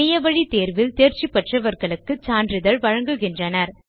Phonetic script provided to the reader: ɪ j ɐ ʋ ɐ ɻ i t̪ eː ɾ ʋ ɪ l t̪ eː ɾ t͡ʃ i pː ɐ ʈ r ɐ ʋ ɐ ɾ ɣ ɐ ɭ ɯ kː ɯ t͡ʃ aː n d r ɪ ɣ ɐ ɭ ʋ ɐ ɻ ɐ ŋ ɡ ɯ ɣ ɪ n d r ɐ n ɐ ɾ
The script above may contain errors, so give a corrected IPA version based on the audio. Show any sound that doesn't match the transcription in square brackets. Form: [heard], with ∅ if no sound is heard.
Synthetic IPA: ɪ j ɐ ʋ ɐ ɻ i t̪ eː ɾ ʋ ɪ l t̪ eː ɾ t͡ʃ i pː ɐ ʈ r ɐ ʋ ɐ ɾ ɣ ɐ ɭ ɯ kː ɯ t͡ʃ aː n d r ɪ [ð] ɐ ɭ ʋ ɐ ɻ ɐ ŋ ɡ ɯ ɣ ɪ n d r ɐ n ɐ ɾ